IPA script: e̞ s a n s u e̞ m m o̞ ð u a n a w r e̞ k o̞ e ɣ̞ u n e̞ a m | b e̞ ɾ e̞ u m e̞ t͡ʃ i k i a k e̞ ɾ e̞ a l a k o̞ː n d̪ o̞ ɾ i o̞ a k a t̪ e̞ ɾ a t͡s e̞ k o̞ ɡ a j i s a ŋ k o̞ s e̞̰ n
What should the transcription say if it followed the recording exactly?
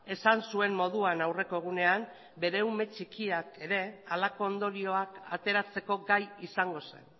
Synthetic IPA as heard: e̞ s a n s u e̞ m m o̞ ð u a n a w r e̞ k o̞ e ɣ̞ u n e̞ a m | b e̞ ɾ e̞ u m e̞ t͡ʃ i k i a k e̞ ɾ e̞ a l a k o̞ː n d̪ o̞ ɾ i o̞ a k a t̪ e̞ ɾ a t͡s e̞ k o̞ ɡ a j i s a ŋ ɡ o̞ s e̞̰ n